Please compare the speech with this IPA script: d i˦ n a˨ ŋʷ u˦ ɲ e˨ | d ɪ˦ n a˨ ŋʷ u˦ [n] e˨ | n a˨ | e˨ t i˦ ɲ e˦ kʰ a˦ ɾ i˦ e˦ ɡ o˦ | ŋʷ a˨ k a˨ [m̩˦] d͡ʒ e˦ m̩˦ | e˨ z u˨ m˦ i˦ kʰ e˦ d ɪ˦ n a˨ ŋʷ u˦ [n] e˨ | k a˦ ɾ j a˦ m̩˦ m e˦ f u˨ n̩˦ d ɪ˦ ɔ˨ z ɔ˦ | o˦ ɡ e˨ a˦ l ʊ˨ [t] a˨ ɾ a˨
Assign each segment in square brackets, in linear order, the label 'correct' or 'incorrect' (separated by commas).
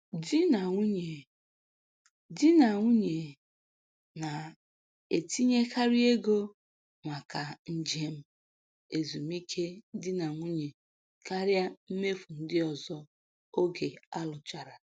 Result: incorrect, incorrect, incorrect, incorrect